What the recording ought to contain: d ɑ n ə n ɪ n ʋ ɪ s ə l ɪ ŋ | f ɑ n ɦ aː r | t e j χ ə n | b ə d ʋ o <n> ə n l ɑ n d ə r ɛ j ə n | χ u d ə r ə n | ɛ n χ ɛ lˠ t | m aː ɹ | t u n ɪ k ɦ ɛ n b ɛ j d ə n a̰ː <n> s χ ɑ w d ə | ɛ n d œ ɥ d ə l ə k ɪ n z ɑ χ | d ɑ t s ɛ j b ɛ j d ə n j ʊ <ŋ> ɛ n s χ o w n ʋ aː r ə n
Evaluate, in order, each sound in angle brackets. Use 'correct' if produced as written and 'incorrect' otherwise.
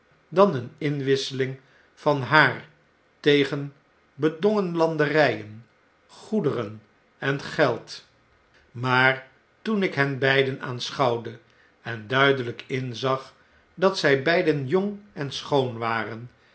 incorrect, correct, correct

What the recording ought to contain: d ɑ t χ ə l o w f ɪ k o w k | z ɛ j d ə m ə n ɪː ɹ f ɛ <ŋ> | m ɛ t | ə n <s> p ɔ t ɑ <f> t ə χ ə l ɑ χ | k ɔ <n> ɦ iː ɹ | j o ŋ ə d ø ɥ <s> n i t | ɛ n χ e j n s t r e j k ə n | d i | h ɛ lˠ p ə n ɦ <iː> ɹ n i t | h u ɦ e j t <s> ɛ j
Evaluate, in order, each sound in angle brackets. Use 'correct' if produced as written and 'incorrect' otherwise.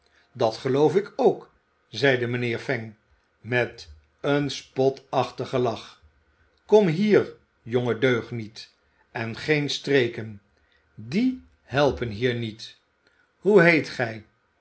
correct, correct, incorrect, incorrect, incorrect, correct, incorrect

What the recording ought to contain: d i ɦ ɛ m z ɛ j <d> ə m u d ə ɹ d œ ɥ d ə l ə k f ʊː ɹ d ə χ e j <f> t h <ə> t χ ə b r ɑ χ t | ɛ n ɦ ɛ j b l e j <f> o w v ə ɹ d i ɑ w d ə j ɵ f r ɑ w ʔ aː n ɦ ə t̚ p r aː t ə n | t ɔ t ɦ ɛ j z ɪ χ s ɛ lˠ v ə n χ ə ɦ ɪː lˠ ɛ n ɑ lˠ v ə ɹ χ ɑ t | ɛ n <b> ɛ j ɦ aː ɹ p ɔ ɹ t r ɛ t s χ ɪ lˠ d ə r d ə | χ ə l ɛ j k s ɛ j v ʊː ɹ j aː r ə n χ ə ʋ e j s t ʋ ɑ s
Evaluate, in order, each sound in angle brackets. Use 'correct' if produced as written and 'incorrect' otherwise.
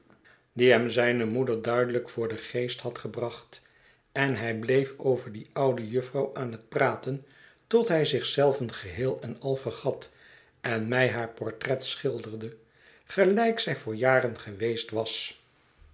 incorrect, incorrect, incorrect, correct, incorrect

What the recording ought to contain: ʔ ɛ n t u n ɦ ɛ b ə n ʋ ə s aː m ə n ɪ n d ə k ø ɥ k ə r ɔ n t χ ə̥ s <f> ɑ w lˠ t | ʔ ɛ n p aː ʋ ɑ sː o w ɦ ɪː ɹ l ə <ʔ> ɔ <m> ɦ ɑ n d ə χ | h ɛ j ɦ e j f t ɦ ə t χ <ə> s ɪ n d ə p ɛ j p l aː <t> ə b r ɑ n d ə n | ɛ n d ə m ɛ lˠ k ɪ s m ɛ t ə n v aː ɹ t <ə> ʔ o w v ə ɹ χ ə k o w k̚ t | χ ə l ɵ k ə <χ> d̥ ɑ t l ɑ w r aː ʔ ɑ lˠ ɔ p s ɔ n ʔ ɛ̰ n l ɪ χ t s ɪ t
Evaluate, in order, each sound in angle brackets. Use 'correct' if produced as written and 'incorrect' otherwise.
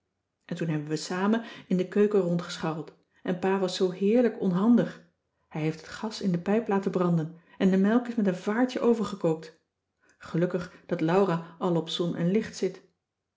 incorrect, incorrect, incorrect, incorrect, correct, correct, correct

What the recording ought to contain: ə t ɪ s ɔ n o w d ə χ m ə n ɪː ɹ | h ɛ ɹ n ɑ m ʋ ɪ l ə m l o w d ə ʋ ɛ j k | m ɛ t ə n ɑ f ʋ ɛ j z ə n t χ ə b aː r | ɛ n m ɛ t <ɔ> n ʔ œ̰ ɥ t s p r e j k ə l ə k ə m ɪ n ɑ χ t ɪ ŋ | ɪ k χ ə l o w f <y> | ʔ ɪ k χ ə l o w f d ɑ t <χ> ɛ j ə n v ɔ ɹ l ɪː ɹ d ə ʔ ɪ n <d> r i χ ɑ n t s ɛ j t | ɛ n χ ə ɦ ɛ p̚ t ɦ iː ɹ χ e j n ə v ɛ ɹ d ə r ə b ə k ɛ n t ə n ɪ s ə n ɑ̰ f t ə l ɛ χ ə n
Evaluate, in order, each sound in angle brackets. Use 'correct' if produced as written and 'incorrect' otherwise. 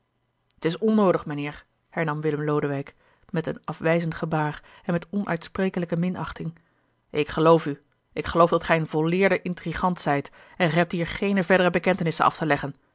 correct, correct, correct, incorrect

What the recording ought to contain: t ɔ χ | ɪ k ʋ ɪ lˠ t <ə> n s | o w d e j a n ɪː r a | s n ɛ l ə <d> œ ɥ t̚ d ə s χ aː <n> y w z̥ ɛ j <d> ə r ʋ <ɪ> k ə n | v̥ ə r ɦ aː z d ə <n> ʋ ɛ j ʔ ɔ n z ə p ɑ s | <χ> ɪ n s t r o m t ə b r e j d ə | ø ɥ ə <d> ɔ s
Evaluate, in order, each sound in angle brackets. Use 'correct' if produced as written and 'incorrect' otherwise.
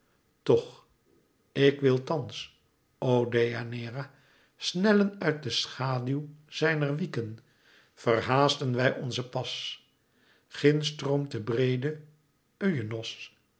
incorrect, incorrect, incorrect, incorrect, incorrect, correct, correct, incorrect

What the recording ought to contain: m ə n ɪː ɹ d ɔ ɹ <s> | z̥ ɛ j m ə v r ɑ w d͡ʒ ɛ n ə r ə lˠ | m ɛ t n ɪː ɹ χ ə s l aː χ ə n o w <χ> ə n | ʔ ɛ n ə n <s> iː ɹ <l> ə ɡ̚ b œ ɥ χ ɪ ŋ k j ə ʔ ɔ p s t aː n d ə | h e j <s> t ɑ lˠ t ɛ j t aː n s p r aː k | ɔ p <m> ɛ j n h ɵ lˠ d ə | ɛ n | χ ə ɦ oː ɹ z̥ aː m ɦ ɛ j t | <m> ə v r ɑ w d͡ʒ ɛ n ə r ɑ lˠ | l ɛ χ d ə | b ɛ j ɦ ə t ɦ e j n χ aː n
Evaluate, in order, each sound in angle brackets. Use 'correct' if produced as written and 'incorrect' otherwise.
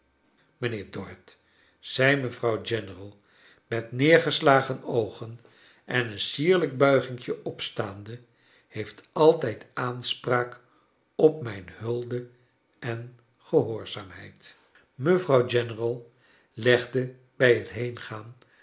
incorrect, correct, correct, correct, incorrect, correct, correct

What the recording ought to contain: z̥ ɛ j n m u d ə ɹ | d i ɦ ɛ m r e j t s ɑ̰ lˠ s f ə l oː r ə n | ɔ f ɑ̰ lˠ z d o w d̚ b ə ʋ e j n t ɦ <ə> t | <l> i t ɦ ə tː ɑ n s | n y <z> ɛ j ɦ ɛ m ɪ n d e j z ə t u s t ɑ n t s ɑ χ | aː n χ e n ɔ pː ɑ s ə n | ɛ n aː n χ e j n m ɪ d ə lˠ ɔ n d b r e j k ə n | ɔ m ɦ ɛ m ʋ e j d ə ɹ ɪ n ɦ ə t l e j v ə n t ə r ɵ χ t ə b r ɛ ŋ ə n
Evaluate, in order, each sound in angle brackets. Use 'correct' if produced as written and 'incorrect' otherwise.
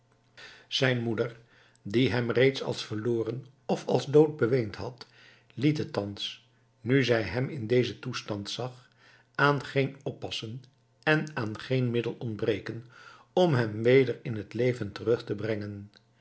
incorrect, correct, correct

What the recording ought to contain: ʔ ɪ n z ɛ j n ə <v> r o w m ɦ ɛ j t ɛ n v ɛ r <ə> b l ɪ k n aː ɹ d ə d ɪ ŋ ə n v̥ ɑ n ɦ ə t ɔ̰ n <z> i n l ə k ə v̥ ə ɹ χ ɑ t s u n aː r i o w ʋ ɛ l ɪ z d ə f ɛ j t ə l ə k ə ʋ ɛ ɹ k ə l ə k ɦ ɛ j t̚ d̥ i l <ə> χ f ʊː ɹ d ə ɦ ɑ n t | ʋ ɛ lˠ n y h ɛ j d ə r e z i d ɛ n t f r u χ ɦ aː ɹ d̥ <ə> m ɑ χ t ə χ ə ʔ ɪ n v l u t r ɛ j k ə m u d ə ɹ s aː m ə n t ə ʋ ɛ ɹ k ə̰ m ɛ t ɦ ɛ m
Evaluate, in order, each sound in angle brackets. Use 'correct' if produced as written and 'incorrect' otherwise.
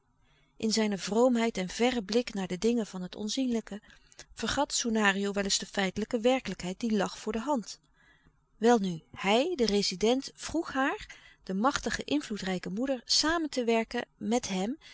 correct, correct, correct, incorrect, correct

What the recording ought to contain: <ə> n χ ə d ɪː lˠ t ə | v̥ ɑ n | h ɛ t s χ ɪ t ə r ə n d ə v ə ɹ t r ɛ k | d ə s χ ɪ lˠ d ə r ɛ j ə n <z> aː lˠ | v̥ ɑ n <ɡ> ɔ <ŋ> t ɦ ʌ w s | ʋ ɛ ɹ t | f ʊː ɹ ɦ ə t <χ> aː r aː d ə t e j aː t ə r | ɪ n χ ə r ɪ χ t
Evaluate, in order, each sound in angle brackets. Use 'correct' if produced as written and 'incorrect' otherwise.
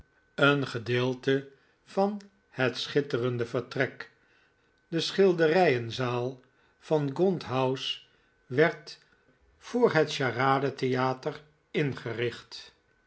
correct, correct, correct, incorrect, incorrect

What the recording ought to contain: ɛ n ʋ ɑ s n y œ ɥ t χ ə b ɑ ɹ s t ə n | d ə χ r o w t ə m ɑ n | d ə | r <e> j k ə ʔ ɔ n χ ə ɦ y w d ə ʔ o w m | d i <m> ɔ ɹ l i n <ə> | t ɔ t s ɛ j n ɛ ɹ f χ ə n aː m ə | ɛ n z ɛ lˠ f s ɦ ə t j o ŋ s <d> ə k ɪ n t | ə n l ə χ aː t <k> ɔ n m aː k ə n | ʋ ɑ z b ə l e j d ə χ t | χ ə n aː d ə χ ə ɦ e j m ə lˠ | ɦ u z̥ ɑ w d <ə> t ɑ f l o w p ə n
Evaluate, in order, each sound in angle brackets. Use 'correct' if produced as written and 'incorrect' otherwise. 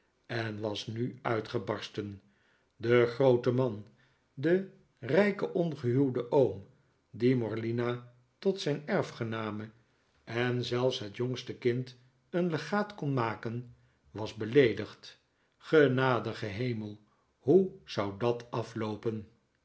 incorrect, correct, incorrect, incorrect, correct, incorrect

